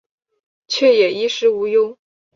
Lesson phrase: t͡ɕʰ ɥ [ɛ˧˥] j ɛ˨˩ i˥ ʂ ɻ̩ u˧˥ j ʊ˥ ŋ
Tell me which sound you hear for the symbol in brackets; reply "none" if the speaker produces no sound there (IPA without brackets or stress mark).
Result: ɛ˥˩